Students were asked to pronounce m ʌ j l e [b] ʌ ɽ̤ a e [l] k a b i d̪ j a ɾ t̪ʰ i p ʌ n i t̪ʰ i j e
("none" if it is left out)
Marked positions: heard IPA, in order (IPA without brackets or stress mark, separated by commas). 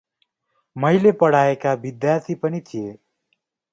p, none